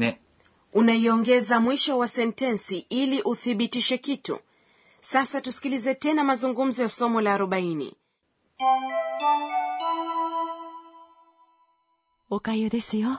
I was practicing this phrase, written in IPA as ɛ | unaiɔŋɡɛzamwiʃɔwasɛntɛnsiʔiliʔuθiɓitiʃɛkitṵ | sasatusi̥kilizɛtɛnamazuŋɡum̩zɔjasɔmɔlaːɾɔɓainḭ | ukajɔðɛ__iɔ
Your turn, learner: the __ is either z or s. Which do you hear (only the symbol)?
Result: s